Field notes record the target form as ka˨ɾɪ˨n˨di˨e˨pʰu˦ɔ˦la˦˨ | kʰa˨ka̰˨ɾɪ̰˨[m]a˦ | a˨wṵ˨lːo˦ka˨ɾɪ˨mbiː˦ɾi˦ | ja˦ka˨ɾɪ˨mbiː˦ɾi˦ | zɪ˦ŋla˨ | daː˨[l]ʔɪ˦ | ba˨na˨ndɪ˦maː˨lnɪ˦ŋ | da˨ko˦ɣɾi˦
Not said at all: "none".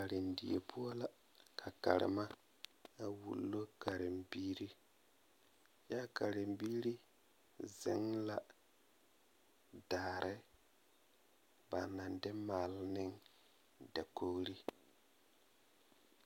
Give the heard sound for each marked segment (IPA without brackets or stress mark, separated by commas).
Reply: m, ɾ